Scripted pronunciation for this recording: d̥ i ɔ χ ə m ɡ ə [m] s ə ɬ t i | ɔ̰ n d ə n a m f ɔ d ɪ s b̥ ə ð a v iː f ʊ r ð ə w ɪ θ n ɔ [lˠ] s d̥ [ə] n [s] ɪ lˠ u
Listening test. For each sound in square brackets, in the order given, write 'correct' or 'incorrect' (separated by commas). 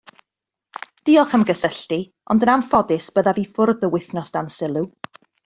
incorrect, incorrect, incorrect, correct